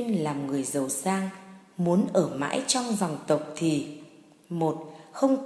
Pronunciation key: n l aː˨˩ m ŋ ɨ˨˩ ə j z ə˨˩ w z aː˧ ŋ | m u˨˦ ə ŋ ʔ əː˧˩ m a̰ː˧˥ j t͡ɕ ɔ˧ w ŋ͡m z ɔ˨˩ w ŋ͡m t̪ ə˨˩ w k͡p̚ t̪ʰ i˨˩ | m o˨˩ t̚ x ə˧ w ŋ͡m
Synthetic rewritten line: n l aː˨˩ m ŋ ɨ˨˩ ə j z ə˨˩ w s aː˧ ŋ | m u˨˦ ə n ʔ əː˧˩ m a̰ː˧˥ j t͡ɕ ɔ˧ w ŋ͡m z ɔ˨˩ w ŋ͡m t̪ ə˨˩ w k͡p̚ t̪ʰ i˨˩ | m o˨˩ t̚ x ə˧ w ŋ͡m